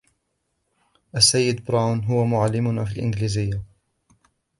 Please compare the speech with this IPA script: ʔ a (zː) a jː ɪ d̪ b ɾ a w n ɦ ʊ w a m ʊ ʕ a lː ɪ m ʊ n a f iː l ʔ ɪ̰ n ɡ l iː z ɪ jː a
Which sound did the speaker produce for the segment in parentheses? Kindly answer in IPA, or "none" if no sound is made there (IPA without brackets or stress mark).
sː